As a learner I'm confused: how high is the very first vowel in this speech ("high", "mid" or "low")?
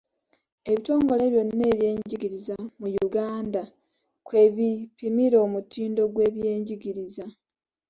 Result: mid